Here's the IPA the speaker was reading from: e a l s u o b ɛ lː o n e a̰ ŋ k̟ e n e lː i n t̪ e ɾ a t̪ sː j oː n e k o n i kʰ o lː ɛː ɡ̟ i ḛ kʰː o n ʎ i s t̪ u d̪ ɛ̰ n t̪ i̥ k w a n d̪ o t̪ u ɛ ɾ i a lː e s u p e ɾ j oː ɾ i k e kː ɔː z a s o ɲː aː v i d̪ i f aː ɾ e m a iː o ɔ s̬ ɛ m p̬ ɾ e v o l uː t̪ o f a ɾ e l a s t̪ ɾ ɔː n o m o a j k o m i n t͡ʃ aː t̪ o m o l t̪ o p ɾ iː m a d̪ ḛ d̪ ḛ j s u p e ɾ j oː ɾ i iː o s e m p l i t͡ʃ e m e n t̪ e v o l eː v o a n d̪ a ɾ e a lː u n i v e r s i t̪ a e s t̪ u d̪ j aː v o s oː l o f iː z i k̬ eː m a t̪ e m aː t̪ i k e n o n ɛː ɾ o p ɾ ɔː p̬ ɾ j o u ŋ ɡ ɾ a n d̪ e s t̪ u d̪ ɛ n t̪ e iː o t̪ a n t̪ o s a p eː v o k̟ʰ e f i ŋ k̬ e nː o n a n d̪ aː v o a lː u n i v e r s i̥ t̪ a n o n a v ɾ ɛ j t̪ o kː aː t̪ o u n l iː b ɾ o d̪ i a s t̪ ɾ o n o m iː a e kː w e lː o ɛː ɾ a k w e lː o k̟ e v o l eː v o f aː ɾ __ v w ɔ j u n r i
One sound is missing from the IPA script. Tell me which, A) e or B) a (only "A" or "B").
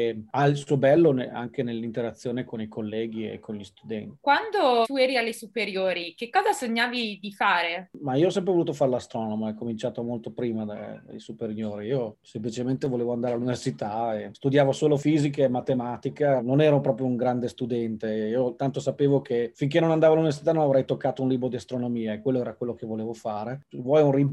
A